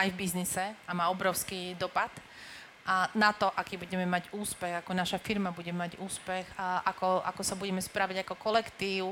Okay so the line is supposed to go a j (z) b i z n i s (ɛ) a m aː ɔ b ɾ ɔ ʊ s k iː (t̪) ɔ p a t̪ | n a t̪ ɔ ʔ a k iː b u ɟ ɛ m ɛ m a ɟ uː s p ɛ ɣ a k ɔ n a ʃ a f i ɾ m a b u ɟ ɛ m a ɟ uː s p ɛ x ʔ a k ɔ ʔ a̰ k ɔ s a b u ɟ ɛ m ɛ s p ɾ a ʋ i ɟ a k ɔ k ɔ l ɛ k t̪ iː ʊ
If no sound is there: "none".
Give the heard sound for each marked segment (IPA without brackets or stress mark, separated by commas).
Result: v, ɛ, d̪